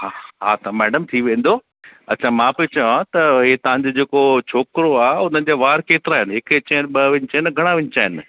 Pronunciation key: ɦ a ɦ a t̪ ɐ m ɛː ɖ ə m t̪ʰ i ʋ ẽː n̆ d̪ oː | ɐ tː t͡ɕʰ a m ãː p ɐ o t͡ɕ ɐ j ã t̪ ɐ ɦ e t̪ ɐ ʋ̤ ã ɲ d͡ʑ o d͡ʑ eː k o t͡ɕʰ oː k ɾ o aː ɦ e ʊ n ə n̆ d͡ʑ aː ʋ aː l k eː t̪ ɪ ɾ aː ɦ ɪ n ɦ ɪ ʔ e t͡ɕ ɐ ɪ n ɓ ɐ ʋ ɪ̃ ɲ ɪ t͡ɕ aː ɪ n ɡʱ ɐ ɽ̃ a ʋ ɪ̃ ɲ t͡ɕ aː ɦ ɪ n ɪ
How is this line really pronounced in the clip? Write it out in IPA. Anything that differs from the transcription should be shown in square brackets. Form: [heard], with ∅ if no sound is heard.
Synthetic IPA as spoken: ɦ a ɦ a t̪ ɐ m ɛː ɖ ə m t̪ʰ i ʋ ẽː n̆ d̪ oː | ɐ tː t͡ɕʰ a m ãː p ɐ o t͡ɕ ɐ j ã t̪ ɐ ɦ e t̪ ɐ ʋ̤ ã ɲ d͡ʑ o d͡ʑ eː k o t͡ɕʰ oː k ɾ o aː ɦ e ʊ n ə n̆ d͡ʑ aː ʋ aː [ɾ] k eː t̪ ɪ ɾ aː ɦ ɪ n ɦ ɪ [k] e t͡ɕ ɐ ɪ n ɓ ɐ ʋ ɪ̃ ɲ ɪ t͡ɕ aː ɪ n ɡʱ ɐ ɽ̃ a ʋ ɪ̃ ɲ t͡ɕ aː ɦ ɪ n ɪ